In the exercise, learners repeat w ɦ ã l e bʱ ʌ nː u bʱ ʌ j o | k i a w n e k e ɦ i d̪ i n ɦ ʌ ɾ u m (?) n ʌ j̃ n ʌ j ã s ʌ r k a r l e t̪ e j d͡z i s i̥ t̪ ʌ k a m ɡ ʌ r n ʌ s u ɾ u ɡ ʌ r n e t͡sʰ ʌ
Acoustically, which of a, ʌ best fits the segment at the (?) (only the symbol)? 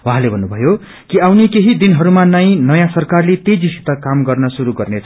a